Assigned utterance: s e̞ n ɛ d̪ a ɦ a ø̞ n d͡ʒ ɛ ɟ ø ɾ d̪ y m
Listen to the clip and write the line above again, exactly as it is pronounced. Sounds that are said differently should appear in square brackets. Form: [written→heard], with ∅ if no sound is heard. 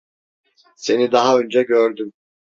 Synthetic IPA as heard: s e̞ n [ɛ→i] d̪ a ɦ a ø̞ n d͡ʒ ɛ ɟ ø ɾ d̪ y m